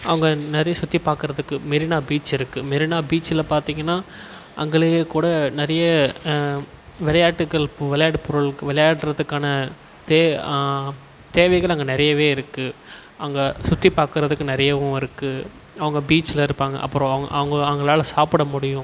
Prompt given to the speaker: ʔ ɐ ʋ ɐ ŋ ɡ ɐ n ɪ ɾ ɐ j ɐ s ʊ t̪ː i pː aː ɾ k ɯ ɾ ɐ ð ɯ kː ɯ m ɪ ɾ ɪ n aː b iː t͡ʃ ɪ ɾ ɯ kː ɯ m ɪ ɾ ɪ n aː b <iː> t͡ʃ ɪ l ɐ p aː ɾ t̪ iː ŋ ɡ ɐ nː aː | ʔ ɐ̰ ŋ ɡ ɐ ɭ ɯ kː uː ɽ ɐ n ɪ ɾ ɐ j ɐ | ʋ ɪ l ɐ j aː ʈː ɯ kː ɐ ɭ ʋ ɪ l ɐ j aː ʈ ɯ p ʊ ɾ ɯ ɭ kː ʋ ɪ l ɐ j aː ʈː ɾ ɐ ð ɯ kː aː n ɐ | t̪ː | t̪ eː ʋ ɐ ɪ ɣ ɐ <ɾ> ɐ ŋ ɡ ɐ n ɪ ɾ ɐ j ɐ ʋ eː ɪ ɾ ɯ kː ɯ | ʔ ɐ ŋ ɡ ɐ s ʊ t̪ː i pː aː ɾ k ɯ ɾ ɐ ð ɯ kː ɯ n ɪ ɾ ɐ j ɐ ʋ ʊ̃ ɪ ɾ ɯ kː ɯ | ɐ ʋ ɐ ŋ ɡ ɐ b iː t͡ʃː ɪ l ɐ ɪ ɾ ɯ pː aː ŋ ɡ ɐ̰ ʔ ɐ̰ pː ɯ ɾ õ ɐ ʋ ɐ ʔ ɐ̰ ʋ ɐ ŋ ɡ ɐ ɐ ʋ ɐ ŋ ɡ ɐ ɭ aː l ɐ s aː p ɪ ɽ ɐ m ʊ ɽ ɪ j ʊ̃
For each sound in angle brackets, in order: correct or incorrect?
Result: correct, incorrect

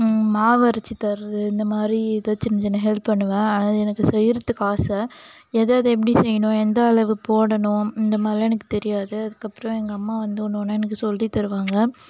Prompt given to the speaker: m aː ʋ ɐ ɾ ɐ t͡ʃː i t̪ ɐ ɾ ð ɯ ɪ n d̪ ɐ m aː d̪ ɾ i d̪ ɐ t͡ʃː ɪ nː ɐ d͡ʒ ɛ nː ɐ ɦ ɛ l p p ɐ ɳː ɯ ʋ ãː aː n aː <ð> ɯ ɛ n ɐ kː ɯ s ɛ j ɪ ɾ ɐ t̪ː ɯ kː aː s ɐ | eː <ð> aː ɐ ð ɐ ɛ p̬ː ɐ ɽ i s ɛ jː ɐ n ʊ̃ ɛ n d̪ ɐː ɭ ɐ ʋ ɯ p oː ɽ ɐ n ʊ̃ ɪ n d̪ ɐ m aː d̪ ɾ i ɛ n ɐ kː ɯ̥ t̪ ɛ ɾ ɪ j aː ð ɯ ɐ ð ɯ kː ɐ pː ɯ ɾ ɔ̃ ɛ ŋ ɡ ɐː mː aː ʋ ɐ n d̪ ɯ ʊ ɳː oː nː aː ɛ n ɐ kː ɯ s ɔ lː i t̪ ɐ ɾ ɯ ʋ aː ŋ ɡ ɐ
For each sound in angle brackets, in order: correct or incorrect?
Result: correct, correct

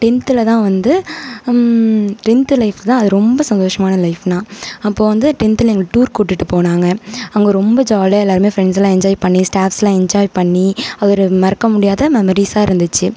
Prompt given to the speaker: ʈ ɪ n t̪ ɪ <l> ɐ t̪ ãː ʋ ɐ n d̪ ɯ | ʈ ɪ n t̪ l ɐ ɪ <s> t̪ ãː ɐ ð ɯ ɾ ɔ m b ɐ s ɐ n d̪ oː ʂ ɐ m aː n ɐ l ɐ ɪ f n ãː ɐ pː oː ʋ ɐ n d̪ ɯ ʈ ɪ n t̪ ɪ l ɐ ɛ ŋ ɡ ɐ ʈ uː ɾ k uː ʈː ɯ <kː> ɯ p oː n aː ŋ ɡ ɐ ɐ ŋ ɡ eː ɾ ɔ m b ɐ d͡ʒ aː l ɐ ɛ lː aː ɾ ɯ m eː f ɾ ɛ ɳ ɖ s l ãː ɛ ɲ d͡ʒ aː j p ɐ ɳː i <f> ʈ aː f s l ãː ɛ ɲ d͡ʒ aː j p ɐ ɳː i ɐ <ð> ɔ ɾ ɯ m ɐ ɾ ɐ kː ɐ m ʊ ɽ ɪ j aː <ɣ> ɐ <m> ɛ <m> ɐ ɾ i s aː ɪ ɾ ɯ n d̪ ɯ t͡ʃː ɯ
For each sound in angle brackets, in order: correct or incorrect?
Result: correct, incorrect, incorrect, incorrect, correct, incorrect, correct, correct

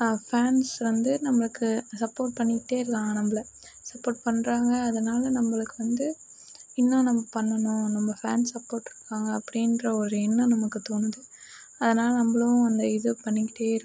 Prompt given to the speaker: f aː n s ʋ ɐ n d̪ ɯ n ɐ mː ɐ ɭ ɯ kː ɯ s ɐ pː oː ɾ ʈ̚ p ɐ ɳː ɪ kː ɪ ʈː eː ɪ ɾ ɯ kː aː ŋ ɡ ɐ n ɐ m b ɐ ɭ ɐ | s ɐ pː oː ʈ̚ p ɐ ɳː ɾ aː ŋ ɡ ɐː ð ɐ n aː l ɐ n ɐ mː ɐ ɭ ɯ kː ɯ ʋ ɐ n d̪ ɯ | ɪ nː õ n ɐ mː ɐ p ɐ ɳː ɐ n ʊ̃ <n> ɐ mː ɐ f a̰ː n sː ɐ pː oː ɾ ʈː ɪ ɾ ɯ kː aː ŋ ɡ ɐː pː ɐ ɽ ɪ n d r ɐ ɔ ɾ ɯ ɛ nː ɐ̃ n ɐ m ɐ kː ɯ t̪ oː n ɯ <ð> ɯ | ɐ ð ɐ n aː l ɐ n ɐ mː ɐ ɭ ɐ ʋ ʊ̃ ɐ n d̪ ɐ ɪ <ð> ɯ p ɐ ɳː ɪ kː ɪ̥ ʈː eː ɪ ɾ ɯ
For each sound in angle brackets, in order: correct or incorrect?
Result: correct, correct, correct

